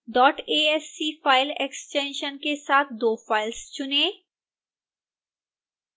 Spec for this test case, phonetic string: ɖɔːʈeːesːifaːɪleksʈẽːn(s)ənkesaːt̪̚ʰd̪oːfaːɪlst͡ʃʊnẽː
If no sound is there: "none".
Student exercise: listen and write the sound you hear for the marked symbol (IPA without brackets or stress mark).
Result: ʃ